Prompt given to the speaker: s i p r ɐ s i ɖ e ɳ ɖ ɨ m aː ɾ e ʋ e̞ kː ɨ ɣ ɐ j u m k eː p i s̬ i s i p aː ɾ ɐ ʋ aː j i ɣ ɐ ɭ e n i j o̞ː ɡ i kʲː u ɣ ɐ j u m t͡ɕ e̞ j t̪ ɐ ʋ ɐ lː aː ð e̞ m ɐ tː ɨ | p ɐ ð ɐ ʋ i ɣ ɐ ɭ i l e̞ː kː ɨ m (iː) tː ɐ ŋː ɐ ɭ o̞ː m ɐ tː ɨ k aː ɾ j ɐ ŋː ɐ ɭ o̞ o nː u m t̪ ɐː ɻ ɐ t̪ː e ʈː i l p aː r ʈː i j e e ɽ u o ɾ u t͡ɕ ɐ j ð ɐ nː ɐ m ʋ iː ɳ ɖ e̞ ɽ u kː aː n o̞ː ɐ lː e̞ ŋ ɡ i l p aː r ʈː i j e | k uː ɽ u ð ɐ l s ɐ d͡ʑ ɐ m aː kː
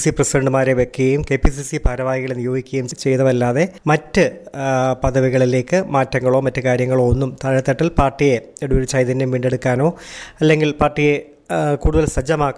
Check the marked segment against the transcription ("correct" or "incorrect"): incorrect